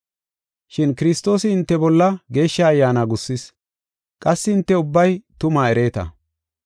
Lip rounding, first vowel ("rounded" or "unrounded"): unrounded